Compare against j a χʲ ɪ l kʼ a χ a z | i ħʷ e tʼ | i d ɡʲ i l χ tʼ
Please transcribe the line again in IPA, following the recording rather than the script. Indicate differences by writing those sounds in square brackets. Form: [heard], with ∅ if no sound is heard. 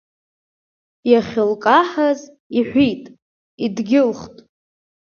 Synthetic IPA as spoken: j a χʲ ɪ l kʼ a [ħ] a z | i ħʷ [i] tʼ | i d ɡʲ [ɪ] l χ tʼ